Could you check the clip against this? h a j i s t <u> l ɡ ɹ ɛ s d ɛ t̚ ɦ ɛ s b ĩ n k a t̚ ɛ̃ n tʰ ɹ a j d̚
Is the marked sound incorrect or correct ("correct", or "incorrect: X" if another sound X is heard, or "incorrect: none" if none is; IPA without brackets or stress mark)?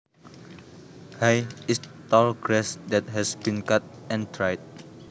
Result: incorrect: ɔ